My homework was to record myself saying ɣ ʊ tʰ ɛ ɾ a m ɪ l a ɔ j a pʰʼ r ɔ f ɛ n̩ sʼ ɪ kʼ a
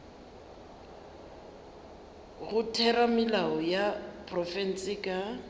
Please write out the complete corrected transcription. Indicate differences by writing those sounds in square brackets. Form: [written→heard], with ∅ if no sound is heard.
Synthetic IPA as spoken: ɣ ʊ tʰ ɛ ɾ a m ɪ l a ɔ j a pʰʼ r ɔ f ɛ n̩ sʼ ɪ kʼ a